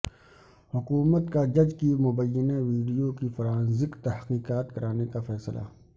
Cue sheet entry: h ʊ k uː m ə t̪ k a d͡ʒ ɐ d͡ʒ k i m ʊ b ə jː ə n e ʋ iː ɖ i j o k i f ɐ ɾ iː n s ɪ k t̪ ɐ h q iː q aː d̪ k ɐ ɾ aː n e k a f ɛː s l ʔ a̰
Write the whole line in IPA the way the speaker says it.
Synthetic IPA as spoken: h ʊ k uː m ə t̪ k a d͡ʒ ɐ d͡ʒ k i m ʊ b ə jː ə n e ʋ iː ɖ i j o k i f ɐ ɾ aː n z ɪ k t̪ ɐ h q iː q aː t̪ k ɐ ɾ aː n e k a f ɛː s l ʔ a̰